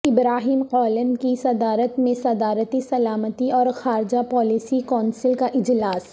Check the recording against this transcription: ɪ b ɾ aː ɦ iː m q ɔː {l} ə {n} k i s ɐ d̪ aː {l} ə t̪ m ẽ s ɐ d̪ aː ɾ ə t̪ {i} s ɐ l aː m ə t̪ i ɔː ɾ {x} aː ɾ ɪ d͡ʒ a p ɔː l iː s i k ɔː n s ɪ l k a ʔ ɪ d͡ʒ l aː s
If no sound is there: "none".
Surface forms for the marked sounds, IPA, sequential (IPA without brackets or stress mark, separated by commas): l, n, ɾ, i, x